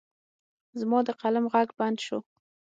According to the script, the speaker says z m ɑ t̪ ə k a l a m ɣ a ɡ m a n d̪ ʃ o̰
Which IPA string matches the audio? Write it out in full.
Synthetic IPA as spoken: z m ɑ d̪ ə q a l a m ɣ a ɡ b a n d̪ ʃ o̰